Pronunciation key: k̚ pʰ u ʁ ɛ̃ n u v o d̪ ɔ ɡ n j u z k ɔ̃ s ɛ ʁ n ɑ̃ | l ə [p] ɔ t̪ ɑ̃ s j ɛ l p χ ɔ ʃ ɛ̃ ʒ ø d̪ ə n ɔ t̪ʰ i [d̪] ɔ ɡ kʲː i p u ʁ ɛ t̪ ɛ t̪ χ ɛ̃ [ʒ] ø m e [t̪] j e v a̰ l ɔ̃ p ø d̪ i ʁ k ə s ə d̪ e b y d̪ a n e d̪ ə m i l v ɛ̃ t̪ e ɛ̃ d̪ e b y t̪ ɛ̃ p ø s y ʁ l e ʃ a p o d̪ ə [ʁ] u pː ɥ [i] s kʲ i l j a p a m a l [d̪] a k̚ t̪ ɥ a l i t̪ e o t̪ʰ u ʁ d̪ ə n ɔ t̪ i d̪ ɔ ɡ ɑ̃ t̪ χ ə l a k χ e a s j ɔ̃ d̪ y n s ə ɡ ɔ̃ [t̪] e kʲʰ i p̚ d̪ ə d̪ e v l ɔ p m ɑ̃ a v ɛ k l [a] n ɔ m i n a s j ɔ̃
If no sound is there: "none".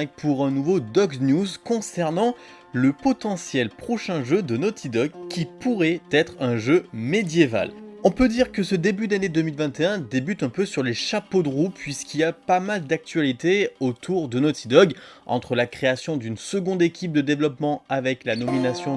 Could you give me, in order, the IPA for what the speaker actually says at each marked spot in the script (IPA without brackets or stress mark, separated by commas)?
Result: p, d̪, ʒ, d̪, ʁ, i, d̪, d̪, a